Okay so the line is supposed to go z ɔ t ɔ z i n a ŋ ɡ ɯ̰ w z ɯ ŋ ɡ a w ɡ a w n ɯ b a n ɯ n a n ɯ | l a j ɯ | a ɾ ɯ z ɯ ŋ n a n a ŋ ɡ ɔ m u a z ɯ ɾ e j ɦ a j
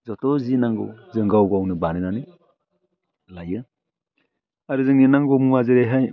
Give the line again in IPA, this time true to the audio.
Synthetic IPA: z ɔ t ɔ z i n a ŋ ɡ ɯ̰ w z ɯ ŋ ɡ a w ɡ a w n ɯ b a n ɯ n a n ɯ | l a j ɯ | a ɾ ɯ z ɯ ŋ n i n a ŋ ɡ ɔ m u a z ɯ ɾ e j ɦ a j